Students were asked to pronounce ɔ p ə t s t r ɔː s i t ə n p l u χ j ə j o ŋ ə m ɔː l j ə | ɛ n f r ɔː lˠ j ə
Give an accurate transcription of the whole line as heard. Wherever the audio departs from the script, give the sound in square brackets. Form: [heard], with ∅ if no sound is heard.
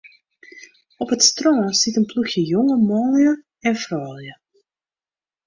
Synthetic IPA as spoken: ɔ p ə t s t r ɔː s i t ə n p l u [x] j ə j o ŋ ə m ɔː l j ə | ɛ n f r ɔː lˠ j ə